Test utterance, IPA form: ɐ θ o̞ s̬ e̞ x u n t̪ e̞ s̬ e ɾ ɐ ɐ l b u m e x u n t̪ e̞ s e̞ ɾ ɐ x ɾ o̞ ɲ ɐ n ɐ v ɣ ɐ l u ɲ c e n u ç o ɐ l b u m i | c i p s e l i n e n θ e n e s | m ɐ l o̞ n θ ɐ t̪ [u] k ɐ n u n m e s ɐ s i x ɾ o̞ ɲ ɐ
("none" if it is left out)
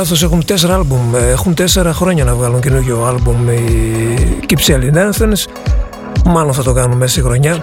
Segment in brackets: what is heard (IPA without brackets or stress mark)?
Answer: o